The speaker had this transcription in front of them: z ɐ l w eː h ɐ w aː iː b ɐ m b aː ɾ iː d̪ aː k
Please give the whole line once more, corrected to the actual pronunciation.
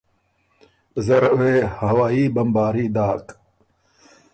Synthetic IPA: z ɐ ɾ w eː h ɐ w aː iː b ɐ m b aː ɾ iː d̪ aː k